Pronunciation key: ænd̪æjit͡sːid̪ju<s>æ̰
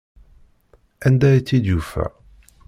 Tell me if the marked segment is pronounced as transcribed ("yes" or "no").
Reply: no